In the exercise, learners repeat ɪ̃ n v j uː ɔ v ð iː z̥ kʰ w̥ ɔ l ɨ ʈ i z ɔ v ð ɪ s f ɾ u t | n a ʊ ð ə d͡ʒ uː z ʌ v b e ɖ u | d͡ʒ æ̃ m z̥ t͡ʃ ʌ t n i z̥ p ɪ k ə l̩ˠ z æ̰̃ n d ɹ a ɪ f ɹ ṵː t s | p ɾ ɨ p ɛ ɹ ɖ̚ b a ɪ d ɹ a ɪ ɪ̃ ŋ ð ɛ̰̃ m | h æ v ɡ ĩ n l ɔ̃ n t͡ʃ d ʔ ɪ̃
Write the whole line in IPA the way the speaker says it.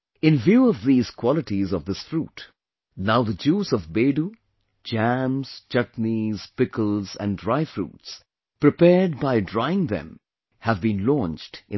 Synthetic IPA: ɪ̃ n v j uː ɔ v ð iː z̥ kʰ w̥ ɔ l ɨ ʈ i z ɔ v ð ɪ s f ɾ u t | n a ʊ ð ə d͡ʒ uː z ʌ v b e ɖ u | d͡ʒ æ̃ m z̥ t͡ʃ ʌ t n i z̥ p ɪ k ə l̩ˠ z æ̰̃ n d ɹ a ɪ f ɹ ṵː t s | p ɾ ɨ p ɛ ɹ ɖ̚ b a ɪ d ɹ a ɪ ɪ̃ ŋ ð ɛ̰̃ m | h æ v b ĩ n l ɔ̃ n t͡ʃ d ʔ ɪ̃